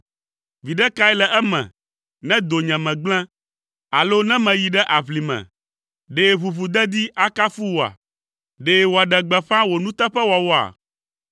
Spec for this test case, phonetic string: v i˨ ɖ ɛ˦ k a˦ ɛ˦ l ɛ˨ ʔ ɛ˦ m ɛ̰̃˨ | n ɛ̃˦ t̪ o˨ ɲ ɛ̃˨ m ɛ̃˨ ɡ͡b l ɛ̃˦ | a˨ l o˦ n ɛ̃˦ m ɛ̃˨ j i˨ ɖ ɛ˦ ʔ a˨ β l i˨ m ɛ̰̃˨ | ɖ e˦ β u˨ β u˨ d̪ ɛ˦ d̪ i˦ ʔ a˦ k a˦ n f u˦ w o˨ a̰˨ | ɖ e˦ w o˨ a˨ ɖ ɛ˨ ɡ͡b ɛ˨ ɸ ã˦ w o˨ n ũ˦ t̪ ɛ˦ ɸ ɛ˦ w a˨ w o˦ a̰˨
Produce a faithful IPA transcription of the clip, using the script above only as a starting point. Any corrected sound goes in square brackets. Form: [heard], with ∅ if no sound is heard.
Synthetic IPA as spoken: v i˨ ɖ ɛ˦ k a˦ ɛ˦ l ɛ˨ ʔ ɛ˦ m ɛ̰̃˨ | n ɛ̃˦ [d̪] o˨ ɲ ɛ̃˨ m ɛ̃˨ ɡ͡b l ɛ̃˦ | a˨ l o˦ n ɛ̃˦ m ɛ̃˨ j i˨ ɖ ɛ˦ ʔ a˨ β l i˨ m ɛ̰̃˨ | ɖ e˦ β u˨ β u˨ d̪ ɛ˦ d̪ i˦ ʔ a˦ k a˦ [∅] f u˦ w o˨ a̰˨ | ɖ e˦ w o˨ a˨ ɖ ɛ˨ ɡ͡b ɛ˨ ɸ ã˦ w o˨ n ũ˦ t̪ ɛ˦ ɸ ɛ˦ w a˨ w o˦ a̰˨

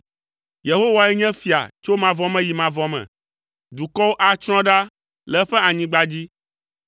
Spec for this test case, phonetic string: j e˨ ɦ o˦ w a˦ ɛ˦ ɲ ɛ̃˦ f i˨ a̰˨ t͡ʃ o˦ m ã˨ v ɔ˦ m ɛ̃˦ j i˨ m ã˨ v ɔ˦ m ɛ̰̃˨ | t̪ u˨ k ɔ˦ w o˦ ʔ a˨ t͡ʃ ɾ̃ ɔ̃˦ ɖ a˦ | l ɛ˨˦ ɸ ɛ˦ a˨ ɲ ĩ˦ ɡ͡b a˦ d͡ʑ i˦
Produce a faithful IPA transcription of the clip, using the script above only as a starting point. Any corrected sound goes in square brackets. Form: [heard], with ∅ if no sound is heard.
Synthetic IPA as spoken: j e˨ ɦ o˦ w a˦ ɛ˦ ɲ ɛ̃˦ f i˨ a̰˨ t͡ʃ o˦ m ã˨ v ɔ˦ m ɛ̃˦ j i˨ m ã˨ v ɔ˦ m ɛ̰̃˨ | [d̪] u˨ k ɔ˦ w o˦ ʔ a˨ t͡ʃ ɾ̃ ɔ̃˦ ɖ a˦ | l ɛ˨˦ ɸ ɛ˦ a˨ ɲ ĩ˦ ɡ͡b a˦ d͡ʑ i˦

